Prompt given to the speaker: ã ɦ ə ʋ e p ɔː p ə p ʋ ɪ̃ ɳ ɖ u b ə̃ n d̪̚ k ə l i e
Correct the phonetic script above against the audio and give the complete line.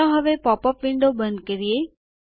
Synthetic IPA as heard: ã ɦ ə ʋ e p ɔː p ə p ʋ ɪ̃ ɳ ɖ o b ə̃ n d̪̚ k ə ɾ i e

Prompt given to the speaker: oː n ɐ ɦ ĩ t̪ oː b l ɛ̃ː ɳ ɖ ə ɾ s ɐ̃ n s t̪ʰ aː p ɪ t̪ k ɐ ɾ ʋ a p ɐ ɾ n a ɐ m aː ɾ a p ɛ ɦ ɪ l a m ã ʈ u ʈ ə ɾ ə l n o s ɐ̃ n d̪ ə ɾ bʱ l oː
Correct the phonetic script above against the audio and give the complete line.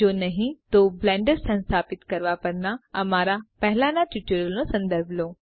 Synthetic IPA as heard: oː n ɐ ɦ ĩ t̪ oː b l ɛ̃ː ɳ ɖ ə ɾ s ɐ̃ n s t̪ʰ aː p ɪ t̪ k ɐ ɾ ʋ a p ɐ ɾ n a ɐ m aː ɾ a p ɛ ɦ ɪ l a n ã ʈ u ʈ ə ɾ ə l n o s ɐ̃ n d̪ ə ɾ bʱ l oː

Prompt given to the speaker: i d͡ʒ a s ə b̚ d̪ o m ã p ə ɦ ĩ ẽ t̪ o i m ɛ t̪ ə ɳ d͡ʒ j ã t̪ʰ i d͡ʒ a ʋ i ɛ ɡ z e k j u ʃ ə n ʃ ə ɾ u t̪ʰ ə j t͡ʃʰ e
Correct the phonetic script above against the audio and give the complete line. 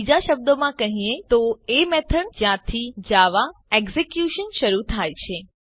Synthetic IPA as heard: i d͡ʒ a ʃ ə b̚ d̪ o m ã k ə ɦ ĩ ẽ t̪ o e m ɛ t̪ʰ ə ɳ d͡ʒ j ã t̪ʰ i d͡ʒ a ʋ a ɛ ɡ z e k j u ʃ ə n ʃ ə ɾ u t̪ʰ a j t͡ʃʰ e

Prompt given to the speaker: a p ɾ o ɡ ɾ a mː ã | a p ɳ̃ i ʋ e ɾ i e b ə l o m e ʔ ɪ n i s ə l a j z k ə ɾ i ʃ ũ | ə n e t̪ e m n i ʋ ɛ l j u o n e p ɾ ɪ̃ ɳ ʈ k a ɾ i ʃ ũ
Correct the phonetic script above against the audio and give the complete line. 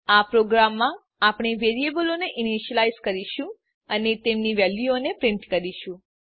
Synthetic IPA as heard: a p ɾ o ɡ ɾ a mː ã | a p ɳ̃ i ʋ e ɾ i e b ə l o n e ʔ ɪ n i ʃ ə l a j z k ə ɾ i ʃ ũ | ə n e t̪ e m n i ʋ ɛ l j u o n e p ɾ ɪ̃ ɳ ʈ k ə ɾ i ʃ ũ

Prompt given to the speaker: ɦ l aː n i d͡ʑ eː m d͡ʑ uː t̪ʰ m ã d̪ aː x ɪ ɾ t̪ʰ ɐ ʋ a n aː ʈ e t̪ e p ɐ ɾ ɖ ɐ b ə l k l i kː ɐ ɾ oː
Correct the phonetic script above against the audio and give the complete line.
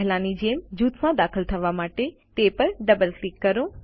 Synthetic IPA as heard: ɦ l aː n i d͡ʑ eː m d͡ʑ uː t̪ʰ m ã d̪ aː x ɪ l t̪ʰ ɐ ʋ a m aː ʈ e t̪ e p ɐ ɾ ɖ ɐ b ə l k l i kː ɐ ɾ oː

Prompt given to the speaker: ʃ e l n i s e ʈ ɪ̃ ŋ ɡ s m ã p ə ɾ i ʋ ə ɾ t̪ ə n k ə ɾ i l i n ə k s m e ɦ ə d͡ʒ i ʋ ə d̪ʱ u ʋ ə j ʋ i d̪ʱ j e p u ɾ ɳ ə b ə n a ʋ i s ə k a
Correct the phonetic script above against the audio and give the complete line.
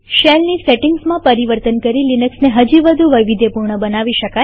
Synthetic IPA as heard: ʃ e l n i s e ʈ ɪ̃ ŋ ɡ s m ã p ə ɾ i ʋ ə ɾ t̪ ə n k ə ɾ i l i n ə k s n e ɦ ə d͡ʒ i ʋ ə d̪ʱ u ʋ ə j ʋ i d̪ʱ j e p u ɾ ɳ ə b ə n a ʋ i ʃ ə k a

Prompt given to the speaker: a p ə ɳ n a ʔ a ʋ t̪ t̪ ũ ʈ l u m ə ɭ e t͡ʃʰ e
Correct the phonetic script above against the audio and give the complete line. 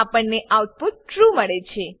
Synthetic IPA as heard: a p ə ɳ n e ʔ a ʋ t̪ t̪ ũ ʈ ɾ u m ə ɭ e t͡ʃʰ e

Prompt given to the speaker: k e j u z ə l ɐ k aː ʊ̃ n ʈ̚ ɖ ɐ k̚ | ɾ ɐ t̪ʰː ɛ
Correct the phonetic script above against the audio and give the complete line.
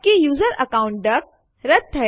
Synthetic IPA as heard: k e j uː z ə ɾ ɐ k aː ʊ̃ ɳ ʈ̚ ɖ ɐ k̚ | ɾ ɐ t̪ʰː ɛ

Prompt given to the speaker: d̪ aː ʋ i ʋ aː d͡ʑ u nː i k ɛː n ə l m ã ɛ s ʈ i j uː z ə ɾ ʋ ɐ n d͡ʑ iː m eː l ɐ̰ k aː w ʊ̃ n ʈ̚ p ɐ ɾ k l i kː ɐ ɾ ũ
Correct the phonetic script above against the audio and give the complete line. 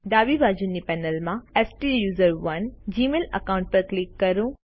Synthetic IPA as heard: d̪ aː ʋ i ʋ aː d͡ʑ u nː i p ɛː n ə l m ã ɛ s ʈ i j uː z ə ɾ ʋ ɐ n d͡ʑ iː m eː l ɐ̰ k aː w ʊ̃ ɳ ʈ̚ p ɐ ɾ k l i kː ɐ ɾ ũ

